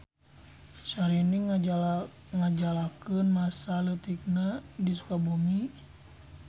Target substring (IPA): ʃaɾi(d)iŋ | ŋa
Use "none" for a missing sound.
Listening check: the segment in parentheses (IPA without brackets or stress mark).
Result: n